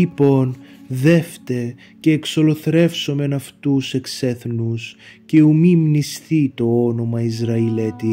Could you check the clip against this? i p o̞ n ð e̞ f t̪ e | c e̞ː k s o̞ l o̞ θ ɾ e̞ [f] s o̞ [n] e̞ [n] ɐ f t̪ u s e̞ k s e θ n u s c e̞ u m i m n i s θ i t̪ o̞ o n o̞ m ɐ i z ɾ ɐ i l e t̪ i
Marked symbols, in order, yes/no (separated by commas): yes, no, yes